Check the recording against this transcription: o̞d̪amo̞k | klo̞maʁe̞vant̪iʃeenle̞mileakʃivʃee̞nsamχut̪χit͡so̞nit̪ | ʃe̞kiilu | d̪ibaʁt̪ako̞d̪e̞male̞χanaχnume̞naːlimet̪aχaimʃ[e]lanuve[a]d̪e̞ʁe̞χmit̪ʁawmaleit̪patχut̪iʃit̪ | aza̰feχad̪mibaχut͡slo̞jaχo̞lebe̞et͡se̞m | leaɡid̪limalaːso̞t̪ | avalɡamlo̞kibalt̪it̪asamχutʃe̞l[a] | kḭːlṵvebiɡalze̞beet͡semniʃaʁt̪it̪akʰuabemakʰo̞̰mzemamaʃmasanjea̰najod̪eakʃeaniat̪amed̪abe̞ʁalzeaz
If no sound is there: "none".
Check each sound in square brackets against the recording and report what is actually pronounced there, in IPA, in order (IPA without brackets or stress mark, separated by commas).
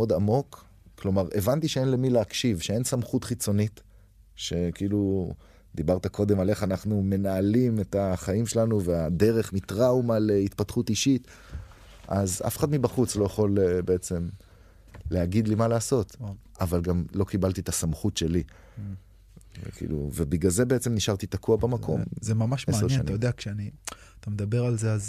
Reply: e, a, i